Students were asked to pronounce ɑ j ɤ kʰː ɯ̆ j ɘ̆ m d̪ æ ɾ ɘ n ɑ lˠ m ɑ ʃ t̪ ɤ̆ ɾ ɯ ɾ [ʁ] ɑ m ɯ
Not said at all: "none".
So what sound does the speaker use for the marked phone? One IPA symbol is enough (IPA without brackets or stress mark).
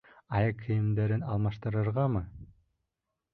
ʁ